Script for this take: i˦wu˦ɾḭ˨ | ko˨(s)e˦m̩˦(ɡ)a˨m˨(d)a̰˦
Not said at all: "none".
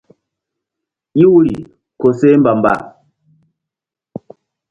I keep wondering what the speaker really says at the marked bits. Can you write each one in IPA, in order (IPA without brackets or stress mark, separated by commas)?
s, b, b